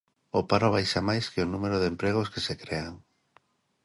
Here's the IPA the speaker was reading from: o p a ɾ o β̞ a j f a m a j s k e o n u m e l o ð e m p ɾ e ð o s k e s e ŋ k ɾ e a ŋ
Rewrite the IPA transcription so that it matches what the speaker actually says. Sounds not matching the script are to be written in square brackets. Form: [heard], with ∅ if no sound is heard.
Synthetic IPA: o p a ɾ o β̞ a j [ʃ] a m a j s k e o n u m e [ɾ] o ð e m p ɾ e [ɣ] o s k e s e [∅] k ɾ e a ŋ

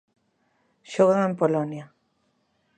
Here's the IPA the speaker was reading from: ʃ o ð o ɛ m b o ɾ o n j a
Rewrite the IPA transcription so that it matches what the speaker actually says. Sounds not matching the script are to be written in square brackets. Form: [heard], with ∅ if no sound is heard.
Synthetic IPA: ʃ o [ɣ] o [e] m [p] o [l] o n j a

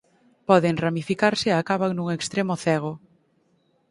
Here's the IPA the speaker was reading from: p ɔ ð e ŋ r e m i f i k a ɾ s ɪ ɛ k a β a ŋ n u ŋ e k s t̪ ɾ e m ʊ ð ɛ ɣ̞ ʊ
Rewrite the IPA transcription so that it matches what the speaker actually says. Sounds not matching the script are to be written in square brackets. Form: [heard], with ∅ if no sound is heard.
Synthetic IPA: p ɔ ð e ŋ r [a] m i f i k a ɾ s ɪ [a] k a β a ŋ n u ŋ e k s t̪ ɾ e m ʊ [θ] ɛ ɣ̞ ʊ

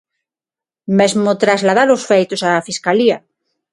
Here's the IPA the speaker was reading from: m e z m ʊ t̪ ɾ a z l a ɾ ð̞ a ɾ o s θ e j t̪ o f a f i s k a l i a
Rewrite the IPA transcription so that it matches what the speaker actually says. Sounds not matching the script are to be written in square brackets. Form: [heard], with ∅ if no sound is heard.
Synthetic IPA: m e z m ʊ t̪ ɾ a z l a [∅] ð̞ a ɾ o s [f] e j t̪ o [s] a f i s k a l i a

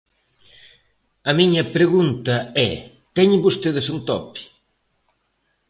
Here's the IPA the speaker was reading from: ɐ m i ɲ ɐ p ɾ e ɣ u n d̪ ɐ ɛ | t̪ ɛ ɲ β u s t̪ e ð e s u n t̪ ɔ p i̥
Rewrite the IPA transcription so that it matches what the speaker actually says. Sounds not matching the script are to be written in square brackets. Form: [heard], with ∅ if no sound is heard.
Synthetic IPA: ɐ m i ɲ ɐ p ɾ e ɣ u n [t̪] ɐ ɛ | t̪ ɛ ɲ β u s t̪ e ð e s u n t̪ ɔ p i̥

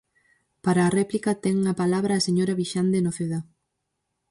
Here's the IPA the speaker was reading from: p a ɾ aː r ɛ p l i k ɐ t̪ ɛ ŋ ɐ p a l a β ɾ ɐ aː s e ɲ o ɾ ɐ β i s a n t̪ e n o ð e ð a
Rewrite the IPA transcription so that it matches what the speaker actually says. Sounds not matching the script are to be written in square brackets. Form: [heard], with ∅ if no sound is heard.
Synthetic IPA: p a ɾ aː r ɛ p l i k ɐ t̪ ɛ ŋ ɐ p a l a β ɾ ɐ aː s e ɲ o ɾ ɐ β i [ʃ] a n [d̪] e n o [θ] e ð a

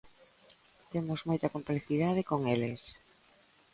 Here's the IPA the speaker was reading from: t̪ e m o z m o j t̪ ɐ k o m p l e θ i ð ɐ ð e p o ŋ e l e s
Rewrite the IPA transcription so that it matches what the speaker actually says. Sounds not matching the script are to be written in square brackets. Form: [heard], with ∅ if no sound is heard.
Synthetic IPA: t̪ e m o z m o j t̪ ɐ k o m p l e θ i ð [a] ð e [k] o ŋ e l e s

